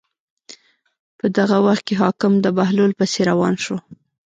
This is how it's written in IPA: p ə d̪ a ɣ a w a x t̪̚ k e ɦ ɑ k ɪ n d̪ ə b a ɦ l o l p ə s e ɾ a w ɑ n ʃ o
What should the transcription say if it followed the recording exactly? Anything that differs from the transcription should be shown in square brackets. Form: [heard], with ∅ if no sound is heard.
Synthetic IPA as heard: p ə d̪ a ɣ a w a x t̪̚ k e ɦ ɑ k ɪ [m] d̪ ə b a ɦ l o l p ə s e ɾ a w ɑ n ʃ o

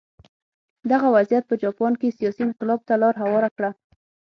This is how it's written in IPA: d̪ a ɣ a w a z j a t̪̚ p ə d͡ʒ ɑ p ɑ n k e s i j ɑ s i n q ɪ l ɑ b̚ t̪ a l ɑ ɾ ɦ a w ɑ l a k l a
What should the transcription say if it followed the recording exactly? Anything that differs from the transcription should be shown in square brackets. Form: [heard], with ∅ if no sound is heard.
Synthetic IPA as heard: d̪ a ɣ a w a z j a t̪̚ p ə d͡ʒ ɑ p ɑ n k e s i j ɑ s i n q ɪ l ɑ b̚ t̪ a l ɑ ɾ ɦ a w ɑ [ɾ] a k [ɽ] a

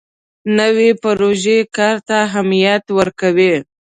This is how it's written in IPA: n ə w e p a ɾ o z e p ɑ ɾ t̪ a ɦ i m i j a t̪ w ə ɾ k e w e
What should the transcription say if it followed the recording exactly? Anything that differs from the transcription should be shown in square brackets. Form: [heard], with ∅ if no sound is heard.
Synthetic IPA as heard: n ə w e p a ɾ o [ʒ] e [k] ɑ ɾ t̪ a ɦ [a] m i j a t̪ w ə ɾ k [a] w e

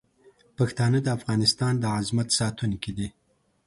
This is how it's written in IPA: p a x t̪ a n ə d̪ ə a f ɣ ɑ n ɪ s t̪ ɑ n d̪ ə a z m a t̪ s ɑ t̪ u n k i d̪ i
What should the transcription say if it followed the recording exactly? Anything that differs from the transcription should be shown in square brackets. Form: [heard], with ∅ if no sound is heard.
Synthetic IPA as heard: p a x t̪ [ɑ] n ə d̪ ə a f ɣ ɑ n ɪ s t̪ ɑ n d̪ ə a z m a t̪ s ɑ t̪ u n k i d̪ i

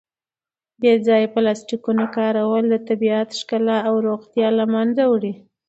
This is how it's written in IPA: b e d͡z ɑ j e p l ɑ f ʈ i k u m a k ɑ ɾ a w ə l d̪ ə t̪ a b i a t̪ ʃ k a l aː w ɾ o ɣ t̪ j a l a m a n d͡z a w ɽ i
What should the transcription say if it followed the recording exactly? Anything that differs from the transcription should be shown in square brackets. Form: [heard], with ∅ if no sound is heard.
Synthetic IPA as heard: b e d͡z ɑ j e p l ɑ [s] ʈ i k u [n] a k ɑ ɾ a w ə l d̪ ə t̪ a b i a t̪ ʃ k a l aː w ɾ o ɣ t̪ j [ɑ] l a m a n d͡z a w ɽ i

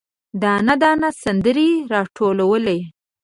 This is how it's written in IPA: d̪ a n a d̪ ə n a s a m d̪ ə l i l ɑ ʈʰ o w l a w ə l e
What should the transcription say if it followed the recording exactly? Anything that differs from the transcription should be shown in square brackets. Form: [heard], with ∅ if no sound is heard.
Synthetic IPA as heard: d̪ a n a d̪ [ɑ] n a s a [n] d̪ ə [ɾ] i [ɾ] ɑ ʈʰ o [∅] l a w ə l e

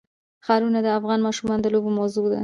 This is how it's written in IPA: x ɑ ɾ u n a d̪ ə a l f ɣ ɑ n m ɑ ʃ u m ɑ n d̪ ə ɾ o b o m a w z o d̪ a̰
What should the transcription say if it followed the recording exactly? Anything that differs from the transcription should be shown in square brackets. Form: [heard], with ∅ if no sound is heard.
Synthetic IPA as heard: x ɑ ɾ u n a d̪ ə a [∅] f ɣ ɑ n m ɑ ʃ u m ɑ n d̪ ə [l] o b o m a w z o d̪ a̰

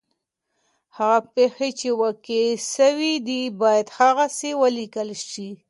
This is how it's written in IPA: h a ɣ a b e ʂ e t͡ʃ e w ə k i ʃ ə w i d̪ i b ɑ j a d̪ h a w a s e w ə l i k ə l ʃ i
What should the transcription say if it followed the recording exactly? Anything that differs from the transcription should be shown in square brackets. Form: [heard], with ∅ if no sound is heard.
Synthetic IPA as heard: h a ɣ a [p] e [x] e t͡ʃ e w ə k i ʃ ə w i d̪ i b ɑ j a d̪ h a [ɣ] a s e w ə l i k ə l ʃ i

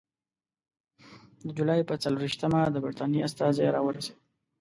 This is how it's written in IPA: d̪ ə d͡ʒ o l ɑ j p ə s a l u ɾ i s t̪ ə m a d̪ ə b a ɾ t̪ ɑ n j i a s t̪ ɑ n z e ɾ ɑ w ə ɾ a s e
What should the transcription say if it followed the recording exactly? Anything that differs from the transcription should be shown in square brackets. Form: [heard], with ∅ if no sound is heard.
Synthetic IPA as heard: d̪ ə d͡ʒ [u] l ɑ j p ə [t͡s] a l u ɾ i [ʃ] t̪ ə m a d̪ ə b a ɾ t̪ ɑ n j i a s t̪ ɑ [∅] z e ɾ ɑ w ə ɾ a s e

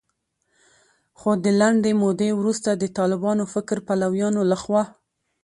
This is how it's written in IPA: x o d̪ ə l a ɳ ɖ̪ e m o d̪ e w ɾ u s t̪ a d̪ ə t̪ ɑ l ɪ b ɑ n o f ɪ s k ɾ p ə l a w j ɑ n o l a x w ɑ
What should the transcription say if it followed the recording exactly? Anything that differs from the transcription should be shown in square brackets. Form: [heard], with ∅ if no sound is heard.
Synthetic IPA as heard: x o d̪ ə l a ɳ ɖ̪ e m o d̪ e w ɾ u s t̪ a d̪ ə t̪ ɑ l ɪ b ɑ n o f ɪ [∅] k ɾ p [a] l a w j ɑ n o l a x w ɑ

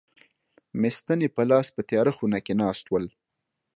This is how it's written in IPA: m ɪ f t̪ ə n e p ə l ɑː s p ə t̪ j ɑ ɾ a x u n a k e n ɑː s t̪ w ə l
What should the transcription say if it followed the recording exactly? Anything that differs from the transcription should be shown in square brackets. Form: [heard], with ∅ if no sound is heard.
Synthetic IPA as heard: m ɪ [s] t̪ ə n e p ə l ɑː s p ə t̪ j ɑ ɾ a x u n a k e n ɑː s t̪ w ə l

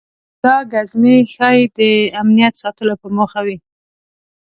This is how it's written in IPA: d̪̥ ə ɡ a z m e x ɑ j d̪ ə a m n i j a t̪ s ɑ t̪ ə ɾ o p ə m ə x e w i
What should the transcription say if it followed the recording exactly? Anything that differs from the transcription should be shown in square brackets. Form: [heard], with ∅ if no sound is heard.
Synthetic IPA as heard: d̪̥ [ɑ] ɡ a z m e x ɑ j d̪ ə a m n i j a t̪ s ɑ t̪ ə [l] o p ə m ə x [a] w i

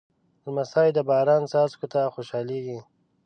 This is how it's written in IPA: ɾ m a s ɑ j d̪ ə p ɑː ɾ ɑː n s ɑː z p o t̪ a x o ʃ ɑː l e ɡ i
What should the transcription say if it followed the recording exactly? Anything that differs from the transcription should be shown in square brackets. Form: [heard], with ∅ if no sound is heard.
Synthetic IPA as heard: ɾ m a s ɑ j d̪ ə [b] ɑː ɾ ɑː n s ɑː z [k] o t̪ a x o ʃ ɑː l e ɡ i

